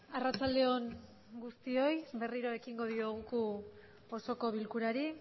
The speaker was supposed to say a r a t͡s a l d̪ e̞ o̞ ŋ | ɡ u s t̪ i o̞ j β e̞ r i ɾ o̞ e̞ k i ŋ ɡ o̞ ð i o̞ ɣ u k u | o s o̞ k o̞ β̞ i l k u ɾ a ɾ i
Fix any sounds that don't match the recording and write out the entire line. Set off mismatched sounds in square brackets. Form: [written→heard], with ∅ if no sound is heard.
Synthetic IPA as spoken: a r a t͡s a l d̪ e̞ o̞ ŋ | ɡ u s t̪ i o̞ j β e̞ r i ɾ o̞ e̞ k i ŋ ɡ o̞ ð i o̞ ɣ u k u | o s o̞ k o̞ β̞ i l k u ɾ a ɾ i